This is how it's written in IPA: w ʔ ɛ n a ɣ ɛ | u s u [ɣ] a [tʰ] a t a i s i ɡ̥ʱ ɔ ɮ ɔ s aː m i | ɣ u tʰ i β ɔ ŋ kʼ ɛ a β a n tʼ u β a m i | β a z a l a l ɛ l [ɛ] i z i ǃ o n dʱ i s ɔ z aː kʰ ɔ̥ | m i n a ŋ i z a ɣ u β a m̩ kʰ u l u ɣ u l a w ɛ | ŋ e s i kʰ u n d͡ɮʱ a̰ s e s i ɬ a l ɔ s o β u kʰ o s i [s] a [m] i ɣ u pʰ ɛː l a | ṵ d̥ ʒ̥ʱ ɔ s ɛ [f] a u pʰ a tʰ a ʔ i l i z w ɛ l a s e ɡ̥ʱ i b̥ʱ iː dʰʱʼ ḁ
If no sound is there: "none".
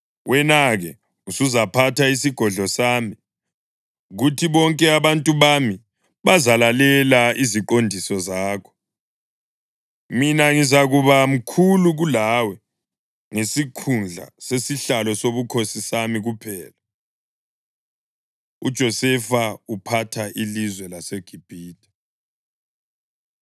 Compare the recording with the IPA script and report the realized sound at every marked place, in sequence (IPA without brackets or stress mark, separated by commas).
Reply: z, pʰ, a, s, m, f